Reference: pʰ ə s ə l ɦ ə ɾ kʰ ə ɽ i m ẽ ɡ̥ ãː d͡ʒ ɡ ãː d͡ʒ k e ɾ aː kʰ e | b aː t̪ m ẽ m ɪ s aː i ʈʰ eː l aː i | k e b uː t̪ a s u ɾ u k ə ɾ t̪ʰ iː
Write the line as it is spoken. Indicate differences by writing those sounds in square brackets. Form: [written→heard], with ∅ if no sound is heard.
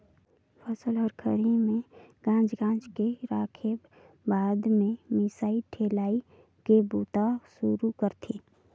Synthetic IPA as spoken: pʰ ə s ə l ɦ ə ɾ kʰ ə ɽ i m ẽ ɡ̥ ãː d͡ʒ ɡ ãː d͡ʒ k e ɾ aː kʰ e | b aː [t̪→d̪] m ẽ m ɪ s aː i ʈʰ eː l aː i | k e b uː t̪ a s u ɾ u k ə ɾ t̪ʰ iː